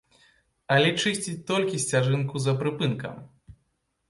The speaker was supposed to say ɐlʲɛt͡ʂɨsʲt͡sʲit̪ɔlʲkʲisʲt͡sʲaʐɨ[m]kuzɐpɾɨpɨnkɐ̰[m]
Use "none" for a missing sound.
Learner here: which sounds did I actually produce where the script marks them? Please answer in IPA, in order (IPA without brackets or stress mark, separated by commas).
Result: n, m